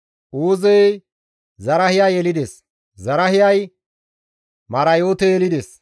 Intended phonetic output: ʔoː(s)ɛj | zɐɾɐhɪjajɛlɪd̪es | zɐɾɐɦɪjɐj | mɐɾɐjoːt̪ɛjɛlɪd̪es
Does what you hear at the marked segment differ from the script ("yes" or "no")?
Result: yes